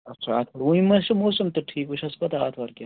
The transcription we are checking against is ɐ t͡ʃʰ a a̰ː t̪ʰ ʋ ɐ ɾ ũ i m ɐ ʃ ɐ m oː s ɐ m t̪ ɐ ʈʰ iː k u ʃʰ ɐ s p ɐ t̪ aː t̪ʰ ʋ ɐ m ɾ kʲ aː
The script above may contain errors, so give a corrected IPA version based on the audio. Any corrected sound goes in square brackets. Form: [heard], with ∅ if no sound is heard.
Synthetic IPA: ɐ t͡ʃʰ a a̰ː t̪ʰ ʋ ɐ ɾ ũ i m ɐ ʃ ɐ m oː s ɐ m t̪ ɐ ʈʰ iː k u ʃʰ ɐ s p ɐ t̪ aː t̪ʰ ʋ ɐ [∅] ɾ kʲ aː